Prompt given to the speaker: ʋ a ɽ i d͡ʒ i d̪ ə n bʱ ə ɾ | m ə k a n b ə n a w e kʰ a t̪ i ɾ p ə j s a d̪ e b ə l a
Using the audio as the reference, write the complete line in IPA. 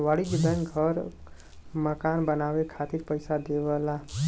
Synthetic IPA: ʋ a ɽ i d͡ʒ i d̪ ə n ɡʱ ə ɾ | m ə k a n b ə n a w e kʰ a t̪ i ɾ p ə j s a d̪ e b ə l a